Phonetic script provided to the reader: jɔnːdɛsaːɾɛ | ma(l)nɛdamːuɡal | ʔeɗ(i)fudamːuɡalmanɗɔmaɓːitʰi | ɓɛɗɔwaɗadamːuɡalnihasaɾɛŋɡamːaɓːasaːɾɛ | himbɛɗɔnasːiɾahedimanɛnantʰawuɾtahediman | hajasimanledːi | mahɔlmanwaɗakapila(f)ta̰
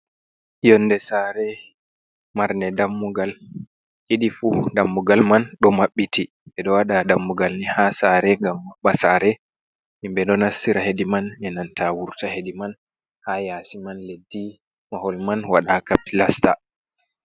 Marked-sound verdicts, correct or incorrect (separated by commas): incorrect, correct, incorrect